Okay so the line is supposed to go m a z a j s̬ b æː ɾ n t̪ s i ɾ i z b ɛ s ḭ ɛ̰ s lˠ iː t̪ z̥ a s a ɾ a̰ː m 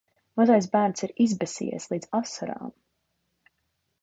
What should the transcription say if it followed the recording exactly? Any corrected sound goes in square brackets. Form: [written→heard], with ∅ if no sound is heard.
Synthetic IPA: m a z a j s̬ b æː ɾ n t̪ s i ɾ i z b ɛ s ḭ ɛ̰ s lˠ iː [t̪→d̪] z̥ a s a ɾ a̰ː m

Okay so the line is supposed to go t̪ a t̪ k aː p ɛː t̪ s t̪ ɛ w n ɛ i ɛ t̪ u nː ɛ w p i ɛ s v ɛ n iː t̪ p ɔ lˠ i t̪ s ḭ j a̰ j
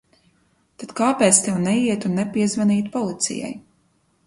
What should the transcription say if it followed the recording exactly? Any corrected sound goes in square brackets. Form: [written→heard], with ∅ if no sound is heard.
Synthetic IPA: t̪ a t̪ k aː p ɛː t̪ s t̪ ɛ w n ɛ i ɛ t̪ u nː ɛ [w→∅] p i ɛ [s→z] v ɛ n iː t̪ p ɔ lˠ i t̪ s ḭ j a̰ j

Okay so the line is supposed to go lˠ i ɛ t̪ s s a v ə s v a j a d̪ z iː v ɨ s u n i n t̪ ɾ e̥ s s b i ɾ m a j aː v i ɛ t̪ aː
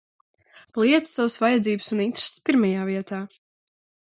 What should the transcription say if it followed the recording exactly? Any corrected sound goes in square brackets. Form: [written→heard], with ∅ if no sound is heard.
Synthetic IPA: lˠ i ɛ t̪ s s a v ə s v a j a d̪ z iː [v→b] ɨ s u n i n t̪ ɾ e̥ s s [b→p] i ɾ m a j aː v i ɛ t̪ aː

